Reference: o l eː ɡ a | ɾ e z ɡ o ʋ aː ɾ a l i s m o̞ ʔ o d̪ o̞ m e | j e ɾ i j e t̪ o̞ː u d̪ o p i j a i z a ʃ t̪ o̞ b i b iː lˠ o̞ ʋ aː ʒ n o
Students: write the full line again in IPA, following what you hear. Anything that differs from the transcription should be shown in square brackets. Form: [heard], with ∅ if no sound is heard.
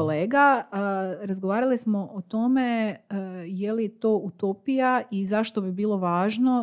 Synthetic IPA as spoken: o l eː ɡ a | ɾ [a] z ɡ o ʋ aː ɾ a l i s m o̞ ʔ o [t̪] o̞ m e | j e [l] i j e t̪ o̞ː u [t̪] o p i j a i z a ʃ t̪ o̞ b i b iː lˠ o̞ ʋ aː ʒ n o